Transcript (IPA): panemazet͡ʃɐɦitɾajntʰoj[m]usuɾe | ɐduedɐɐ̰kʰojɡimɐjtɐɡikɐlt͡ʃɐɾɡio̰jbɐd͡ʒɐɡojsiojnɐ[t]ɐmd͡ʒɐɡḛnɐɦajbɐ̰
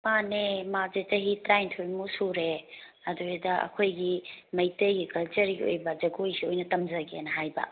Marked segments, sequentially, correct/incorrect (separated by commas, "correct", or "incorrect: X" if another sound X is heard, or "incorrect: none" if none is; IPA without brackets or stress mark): correct, correct